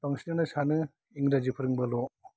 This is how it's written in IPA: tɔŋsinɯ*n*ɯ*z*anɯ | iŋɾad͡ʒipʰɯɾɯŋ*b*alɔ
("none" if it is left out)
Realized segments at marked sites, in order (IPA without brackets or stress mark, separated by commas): n, s, b